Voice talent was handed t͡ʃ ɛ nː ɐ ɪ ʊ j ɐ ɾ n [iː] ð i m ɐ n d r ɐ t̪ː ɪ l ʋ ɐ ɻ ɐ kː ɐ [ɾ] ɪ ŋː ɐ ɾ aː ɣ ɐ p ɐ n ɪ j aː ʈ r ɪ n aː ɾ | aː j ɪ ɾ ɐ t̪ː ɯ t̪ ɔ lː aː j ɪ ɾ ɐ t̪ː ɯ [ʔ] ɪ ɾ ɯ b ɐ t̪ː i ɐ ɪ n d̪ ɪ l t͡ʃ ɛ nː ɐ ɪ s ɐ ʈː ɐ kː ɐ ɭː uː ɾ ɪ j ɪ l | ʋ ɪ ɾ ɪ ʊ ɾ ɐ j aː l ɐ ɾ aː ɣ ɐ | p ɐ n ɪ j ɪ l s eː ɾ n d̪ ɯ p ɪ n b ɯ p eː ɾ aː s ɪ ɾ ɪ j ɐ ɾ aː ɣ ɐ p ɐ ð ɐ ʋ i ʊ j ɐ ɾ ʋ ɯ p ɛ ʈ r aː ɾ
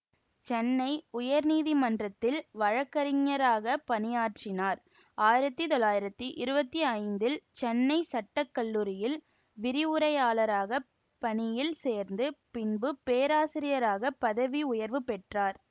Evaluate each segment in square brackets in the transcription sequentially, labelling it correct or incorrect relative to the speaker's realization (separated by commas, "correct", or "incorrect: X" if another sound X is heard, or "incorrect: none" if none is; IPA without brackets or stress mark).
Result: correct, correct, correct